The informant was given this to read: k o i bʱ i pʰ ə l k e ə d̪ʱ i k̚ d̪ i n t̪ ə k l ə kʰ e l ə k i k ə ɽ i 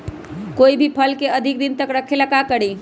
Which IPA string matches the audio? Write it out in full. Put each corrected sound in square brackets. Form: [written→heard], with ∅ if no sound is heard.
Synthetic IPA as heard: k o i bʱ i pʰ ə l k e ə d̪ʱ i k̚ d̪ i n t̪ ə k [l→ɾ] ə kʰ e l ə k [i→a] k ə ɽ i